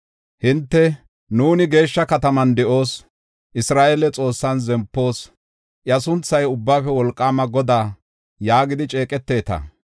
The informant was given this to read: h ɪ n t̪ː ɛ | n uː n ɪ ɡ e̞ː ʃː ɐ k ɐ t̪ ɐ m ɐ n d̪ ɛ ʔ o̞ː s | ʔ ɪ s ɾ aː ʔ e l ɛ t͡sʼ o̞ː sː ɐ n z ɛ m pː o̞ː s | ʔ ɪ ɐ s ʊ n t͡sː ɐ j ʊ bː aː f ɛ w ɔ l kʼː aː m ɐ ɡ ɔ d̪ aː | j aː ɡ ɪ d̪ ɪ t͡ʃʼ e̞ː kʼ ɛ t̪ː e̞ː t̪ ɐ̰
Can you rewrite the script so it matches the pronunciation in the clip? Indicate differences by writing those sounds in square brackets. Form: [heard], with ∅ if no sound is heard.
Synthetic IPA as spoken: h ɪ n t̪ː ɛ | n uː n ɪ ɡ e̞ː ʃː ɐ k ɐ t̪ ɐ m ɐ n d̪ ɛ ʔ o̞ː s | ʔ ɪ s ɾ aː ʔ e l ɛ t͡sʼ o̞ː sː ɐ n z ɛ m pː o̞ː s | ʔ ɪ ɐ s ʊ n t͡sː ɐ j ʊ bː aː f ɛ w ɔ l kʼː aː m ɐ ɡ ɔ d̪ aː | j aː ɡ ɪ d̪ ɪ t͡ʃʼ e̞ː kʼ ɛ t̪ː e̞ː t̪ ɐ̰